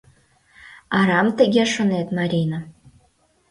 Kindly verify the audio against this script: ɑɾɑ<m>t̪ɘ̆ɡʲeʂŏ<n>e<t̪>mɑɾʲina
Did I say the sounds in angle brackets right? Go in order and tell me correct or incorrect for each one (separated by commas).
correct, correct, correct